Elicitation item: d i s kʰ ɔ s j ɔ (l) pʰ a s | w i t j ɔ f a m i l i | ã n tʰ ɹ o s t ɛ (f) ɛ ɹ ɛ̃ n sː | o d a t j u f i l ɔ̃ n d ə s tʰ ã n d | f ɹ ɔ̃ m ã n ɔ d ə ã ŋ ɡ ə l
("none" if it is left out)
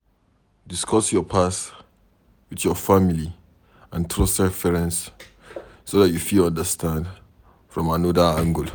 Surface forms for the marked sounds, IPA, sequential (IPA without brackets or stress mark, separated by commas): none, f